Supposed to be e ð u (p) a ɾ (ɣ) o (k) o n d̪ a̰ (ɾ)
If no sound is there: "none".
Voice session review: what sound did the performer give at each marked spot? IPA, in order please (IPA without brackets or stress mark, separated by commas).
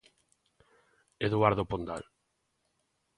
none, ð, p, l